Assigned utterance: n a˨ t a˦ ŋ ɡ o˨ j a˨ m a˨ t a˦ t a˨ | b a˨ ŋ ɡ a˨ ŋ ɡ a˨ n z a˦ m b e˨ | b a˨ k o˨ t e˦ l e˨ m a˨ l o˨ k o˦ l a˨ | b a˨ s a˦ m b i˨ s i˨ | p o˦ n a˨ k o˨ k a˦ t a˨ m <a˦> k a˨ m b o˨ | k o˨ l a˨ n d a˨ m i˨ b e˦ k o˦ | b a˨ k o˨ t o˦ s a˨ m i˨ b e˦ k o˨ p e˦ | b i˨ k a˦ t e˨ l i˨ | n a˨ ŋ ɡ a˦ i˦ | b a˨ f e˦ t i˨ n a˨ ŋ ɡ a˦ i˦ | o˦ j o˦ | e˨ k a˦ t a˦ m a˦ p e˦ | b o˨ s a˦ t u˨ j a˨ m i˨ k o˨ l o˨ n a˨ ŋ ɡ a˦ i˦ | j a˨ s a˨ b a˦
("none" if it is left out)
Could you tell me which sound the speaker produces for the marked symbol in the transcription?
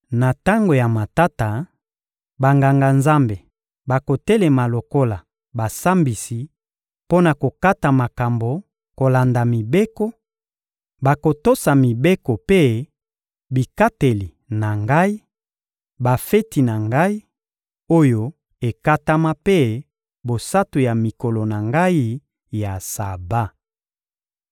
a˨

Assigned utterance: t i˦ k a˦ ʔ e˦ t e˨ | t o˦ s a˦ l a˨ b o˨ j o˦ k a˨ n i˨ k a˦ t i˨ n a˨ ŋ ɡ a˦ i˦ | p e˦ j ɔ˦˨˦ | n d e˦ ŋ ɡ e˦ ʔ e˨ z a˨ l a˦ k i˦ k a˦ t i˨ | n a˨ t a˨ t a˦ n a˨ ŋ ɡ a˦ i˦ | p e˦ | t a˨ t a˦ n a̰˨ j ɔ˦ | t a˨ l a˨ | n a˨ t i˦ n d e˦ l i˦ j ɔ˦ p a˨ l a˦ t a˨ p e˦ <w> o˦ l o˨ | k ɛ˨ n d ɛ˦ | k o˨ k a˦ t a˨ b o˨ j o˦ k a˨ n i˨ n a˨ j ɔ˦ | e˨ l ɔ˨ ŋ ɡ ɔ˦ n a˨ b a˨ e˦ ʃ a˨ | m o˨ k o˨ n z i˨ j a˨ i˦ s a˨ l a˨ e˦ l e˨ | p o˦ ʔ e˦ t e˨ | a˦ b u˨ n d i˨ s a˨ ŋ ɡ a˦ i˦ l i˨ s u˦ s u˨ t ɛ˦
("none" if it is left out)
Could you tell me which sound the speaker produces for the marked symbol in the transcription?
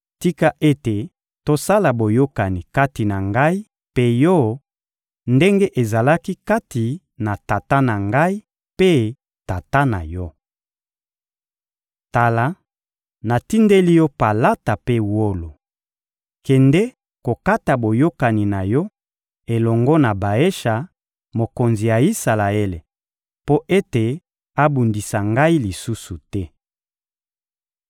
w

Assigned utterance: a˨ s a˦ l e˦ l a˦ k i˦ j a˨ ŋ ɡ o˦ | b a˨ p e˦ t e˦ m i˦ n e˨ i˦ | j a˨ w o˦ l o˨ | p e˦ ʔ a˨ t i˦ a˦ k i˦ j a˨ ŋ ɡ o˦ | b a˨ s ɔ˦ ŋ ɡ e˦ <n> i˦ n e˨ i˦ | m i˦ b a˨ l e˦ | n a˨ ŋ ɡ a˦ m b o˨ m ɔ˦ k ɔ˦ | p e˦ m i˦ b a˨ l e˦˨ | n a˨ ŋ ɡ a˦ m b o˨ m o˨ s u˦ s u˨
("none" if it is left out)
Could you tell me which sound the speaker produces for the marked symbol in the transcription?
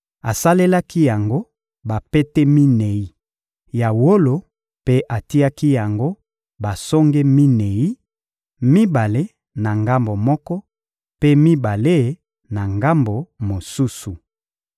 m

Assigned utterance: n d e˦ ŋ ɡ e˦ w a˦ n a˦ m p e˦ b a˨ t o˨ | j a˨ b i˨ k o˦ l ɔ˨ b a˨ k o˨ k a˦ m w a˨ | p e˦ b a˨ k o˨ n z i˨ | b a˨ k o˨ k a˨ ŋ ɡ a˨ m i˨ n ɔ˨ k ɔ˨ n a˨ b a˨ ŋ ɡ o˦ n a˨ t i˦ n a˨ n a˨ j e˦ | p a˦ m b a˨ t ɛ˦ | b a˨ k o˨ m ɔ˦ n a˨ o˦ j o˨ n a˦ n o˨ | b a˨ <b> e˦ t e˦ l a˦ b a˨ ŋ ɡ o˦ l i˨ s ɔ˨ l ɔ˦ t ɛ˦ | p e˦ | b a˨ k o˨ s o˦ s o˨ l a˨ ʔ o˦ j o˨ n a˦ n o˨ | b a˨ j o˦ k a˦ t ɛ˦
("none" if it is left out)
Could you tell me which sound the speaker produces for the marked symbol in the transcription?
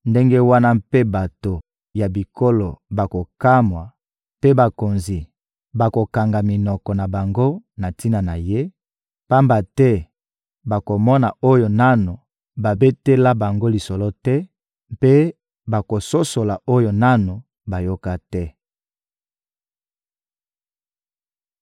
b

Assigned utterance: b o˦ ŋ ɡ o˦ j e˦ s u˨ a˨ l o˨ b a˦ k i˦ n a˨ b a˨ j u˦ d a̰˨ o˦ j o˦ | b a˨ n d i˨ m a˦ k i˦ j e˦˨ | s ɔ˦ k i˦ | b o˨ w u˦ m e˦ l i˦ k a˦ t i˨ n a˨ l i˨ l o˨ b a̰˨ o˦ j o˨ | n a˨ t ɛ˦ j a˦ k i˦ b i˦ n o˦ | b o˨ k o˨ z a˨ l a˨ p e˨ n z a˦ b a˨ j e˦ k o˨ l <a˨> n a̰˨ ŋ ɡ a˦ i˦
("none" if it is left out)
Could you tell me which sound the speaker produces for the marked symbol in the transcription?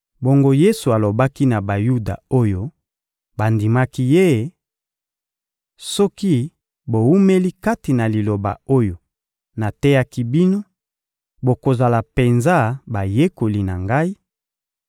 i˨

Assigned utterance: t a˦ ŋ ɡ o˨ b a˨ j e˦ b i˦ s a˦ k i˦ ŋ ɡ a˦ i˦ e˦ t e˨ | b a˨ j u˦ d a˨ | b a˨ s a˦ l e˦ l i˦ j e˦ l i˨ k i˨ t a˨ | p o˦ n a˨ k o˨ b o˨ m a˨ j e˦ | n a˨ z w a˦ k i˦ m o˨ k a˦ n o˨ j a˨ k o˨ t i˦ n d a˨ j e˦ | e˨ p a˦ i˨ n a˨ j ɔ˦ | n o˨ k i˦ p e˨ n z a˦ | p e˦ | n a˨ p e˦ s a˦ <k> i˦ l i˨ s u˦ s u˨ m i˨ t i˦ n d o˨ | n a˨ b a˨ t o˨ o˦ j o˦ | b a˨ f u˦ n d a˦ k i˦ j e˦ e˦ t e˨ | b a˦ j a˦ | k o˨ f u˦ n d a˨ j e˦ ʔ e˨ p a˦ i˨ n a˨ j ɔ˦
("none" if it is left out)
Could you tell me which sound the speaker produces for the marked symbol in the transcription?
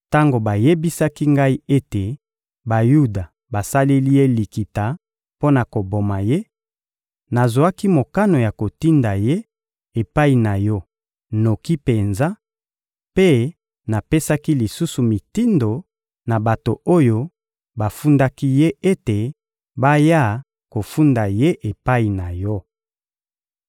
k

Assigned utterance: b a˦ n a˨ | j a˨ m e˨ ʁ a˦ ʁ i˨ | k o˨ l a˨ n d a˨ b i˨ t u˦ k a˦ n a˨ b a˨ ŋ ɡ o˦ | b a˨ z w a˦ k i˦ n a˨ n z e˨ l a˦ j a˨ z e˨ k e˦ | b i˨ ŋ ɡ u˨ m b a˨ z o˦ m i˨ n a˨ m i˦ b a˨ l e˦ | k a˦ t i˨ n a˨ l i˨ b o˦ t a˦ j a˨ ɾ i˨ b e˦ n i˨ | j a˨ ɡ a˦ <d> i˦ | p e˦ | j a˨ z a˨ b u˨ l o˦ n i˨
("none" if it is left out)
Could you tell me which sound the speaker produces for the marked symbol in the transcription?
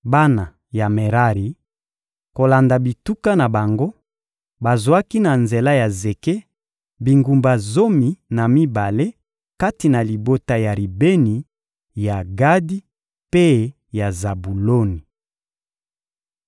d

